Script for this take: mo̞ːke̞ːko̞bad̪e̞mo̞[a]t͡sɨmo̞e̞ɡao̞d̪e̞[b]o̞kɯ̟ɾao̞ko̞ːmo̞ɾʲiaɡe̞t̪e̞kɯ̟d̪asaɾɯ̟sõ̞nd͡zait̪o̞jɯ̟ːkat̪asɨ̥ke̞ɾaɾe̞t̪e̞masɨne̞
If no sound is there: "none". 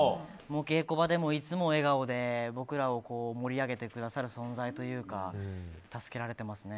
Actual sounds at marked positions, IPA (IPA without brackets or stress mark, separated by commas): i, b